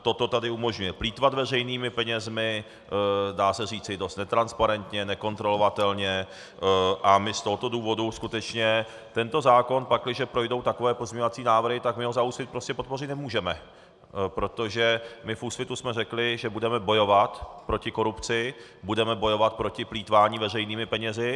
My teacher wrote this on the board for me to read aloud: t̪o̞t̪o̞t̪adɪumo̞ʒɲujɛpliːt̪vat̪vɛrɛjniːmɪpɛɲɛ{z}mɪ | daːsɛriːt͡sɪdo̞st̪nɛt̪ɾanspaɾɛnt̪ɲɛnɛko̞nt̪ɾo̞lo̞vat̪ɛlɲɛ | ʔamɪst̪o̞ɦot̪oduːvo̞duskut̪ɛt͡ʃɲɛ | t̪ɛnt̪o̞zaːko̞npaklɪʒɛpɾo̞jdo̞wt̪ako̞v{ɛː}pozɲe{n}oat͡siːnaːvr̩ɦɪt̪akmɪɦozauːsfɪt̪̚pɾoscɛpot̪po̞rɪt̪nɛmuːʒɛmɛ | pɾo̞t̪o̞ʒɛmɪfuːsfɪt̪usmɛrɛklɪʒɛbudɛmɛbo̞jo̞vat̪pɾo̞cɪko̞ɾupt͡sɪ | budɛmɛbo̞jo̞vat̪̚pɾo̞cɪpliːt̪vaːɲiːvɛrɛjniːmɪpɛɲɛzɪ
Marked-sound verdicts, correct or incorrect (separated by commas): correct, correct, incorrect